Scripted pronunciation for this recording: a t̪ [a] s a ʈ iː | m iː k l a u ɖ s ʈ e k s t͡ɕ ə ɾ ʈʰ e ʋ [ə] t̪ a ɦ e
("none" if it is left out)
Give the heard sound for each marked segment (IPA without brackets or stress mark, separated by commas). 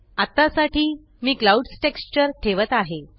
a, ə